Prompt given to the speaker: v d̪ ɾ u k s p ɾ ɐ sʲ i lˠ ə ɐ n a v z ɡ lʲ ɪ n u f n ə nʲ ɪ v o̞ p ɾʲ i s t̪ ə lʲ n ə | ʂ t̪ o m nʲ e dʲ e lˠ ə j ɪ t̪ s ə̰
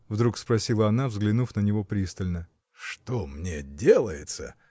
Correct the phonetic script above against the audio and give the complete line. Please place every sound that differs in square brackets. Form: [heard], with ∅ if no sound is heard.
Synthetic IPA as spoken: v d̪ ɾ u k s p ɾ ɐ sʲ i lˠ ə ɐ n a v z ɡ lʲ ɪ n u f n ə nʲ ɪ v o̞ p ɾʲ i s t̪ ə lʲ n ə | ʂ t̪ o m nʲ e dʲ e lˠ ə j ɪ t̪ s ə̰